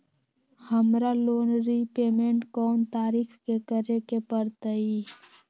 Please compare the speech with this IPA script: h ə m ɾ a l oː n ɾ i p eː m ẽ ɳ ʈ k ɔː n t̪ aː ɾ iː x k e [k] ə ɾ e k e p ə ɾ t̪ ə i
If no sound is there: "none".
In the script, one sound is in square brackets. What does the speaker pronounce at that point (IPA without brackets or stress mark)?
k